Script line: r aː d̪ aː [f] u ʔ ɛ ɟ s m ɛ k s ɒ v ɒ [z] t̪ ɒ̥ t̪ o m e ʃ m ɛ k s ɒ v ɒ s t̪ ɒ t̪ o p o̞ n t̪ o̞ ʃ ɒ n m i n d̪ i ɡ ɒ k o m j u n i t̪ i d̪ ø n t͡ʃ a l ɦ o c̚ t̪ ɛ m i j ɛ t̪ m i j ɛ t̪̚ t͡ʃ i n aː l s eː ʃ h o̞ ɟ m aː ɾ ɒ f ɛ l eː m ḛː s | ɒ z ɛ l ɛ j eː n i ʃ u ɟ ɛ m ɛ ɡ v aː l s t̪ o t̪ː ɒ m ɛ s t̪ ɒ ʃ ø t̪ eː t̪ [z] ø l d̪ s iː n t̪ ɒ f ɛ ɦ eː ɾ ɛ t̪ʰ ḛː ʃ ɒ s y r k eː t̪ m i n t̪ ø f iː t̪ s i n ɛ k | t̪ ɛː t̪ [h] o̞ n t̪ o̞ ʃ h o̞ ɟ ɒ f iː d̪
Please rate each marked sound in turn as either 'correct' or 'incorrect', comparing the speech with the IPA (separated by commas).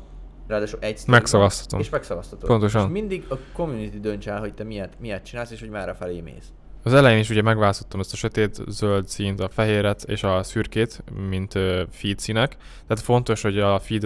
incorrect, incorrect, correct, incorrect